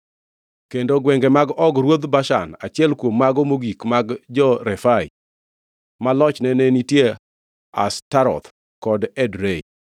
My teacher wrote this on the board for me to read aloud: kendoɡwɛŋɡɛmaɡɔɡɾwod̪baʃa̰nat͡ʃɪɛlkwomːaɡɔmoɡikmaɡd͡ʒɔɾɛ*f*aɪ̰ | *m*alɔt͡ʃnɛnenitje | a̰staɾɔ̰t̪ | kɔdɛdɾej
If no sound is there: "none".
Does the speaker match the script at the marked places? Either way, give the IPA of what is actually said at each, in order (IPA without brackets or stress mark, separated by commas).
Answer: f, m